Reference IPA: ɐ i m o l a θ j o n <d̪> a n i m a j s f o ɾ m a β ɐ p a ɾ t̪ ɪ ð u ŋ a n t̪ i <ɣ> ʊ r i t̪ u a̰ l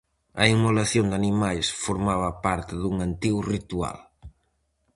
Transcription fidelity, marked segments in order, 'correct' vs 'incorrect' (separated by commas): correct, correct